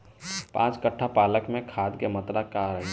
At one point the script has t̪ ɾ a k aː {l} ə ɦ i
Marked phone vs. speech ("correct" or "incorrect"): incorrect